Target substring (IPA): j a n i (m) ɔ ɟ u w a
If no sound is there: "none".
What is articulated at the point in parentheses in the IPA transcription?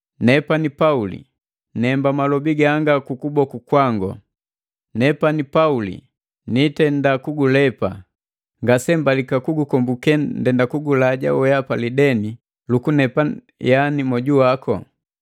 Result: m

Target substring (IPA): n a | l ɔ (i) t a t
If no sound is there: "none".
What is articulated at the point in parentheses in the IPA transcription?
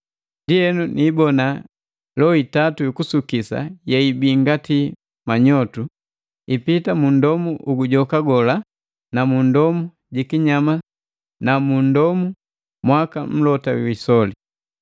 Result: i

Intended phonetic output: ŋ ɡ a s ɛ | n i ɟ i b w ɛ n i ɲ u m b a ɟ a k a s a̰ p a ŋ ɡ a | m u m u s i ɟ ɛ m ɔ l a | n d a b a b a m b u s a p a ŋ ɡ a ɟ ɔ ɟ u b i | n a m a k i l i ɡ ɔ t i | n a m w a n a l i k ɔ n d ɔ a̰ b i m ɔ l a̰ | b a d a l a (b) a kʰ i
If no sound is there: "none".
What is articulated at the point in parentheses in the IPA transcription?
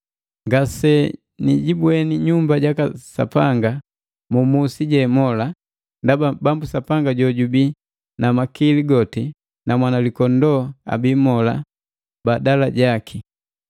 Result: ɟ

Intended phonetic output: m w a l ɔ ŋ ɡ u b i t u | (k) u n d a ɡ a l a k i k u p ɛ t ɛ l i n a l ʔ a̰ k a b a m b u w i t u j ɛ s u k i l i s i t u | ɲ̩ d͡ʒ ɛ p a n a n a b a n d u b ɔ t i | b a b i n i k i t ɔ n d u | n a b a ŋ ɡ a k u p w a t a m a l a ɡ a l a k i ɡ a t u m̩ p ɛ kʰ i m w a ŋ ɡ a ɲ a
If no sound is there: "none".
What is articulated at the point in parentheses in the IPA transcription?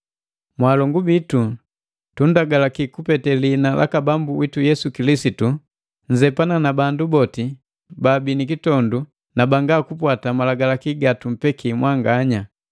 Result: t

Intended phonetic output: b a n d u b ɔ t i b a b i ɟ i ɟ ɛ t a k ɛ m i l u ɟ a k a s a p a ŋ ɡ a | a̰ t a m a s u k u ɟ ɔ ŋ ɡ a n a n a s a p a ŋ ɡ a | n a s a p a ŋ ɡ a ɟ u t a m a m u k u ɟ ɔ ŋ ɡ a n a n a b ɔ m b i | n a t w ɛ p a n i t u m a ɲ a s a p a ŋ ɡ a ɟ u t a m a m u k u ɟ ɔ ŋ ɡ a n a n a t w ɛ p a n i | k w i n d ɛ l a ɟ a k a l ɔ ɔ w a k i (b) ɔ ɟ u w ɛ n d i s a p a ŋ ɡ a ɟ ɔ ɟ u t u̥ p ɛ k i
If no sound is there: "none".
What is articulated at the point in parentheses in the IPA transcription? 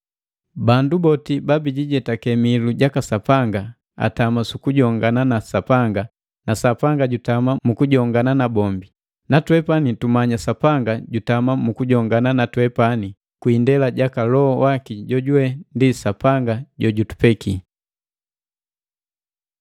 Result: ɟ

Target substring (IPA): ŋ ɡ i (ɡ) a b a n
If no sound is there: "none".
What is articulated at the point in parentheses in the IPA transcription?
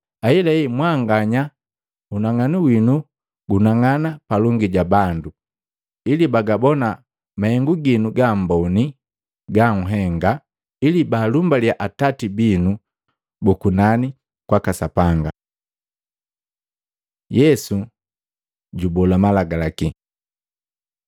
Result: ɟ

